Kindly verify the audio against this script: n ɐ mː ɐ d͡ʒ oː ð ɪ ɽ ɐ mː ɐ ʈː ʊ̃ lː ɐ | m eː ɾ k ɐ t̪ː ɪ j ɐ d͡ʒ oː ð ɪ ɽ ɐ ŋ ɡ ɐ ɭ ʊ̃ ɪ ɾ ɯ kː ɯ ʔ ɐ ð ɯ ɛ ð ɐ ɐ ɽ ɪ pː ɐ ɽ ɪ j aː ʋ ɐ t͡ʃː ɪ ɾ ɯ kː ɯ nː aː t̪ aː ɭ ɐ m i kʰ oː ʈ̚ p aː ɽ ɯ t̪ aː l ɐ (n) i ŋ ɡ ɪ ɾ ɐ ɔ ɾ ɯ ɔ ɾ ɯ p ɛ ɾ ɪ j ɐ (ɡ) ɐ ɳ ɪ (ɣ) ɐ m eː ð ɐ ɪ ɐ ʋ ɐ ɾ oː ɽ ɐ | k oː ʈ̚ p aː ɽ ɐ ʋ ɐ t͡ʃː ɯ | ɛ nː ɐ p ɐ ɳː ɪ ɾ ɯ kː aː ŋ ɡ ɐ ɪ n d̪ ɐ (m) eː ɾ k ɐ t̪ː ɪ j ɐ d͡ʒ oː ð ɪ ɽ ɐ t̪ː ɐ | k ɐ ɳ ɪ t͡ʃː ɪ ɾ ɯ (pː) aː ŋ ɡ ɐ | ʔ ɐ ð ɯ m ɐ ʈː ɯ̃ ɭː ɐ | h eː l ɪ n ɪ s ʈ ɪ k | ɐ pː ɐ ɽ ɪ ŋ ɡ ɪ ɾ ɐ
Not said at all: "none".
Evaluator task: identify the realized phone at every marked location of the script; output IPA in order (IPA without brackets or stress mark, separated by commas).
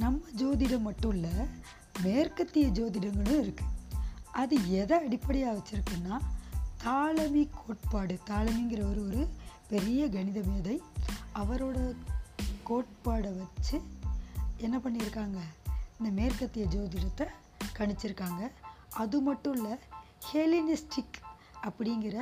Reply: m, ɡ, ð, m, kː